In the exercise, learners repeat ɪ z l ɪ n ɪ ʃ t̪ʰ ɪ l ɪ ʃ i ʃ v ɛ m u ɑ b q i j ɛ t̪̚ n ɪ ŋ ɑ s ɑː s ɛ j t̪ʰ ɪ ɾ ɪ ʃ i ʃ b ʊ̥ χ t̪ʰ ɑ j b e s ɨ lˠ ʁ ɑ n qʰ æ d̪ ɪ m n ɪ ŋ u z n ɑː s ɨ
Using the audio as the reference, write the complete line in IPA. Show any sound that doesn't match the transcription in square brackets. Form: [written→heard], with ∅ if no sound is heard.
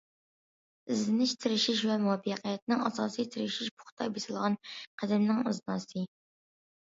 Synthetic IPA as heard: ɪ z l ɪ n ɪ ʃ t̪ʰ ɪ [l→ɾ] ɪ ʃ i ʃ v ɛ m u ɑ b q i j ɛ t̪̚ n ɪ ŋ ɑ s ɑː s [ɛ→i] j t̪ʰ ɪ ɾ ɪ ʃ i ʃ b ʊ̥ χ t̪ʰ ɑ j b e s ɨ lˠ ʁ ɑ n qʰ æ d̪ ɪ m n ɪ ŋ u z n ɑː s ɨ